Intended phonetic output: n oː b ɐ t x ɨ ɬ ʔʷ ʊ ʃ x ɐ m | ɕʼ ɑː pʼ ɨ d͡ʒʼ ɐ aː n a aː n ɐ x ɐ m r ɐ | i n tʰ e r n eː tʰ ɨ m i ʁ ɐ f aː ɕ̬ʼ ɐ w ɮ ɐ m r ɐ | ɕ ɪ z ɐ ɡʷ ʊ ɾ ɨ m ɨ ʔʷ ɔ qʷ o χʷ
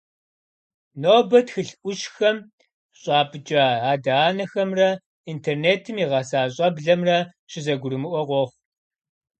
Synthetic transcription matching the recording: n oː b ɐ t x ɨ ɬ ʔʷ ʊ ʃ x ɐ m | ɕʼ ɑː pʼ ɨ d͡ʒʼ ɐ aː d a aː n ɐ x ɐ m r ɐ | i n tʰ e r n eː tʰ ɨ m i ʁ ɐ s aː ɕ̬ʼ ɐ b ɮ ɐ m r ɐ | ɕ ɪ z ɐ ɡʷ ʊ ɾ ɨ m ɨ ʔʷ ɔ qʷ ɔ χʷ